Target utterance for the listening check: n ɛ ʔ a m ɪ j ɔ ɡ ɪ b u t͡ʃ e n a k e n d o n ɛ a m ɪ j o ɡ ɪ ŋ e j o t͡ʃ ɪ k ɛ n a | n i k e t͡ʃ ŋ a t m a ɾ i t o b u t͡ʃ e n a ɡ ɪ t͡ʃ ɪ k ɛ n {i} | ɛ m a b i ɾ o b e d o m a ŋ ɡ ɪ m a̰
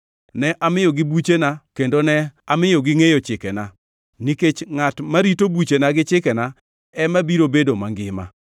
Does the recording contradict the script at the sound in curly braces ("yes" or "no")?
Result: yes